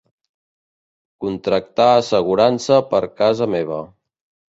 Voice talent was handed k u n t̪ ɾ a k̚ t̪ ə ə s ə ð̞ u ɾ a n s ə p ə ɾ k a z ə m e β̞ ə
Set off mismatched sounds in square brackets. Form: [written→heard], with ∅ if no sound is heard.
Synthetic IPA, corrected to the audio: k u n t̪ ɾ [a→ə] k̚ t̪ [ə→a] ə s ə [ð̞→ɣ̞] u ɾ a n s ə p ə ɾ k a z ə m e β̞ ə

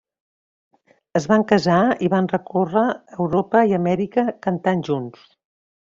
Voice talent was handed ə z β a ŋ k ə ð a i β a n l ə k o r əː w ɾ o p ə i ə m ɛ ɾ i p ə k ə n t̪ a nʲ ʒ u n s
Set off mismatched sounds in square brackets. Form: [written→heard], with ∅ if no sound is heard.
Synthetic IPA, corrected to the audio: ə z β a ŋ k ə [ð→z] a i β a n [l→r] ə k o r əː w ɾ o p ə i ə m ɛ ɾ i [p→k] ə k ə n t̪ a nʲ ʒ u n s

